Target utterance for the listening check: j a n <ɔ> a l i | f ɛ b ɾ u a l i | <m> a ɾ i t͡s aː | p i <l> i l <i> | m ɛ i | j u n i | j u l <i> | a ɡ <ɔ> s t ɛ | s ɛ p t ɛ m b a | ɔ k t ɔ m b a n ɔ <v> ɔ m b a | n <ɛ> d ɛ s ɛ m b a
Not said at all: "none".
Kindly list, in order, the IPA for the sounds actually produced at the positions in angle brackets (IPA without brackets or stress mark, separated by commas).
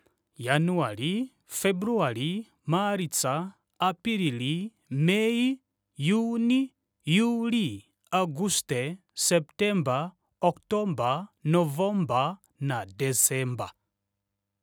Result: u, m, ɾ, i, i, u, v, a